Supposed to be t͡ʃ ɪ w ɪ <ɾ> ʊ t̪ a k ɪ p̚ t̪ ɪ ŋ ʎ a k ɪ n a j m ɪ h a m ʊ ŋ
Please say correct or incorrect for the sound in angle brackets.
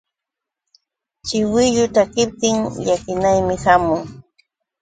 incorrect: ʎ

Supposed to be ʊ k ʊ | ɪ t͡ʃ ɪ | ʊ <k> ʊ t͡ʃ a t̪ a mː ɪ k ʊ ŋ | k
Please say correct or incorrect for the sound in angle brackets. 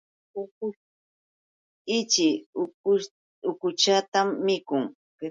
correct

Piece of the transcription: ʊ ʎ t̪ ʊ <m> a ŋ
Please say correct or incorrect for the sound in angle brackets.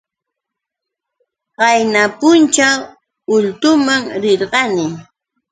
correct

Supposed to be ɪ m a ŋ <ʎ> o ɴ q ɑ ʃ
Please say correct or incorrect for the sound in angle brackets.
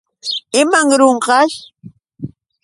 incorrect: ɾ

